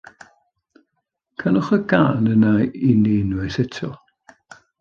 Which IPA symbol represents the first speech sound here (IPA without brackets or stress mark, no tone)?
kʰ